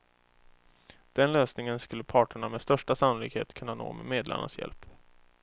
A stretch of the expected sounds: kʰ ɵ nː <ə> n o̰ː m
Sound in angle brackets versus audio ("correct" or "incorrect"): incorrect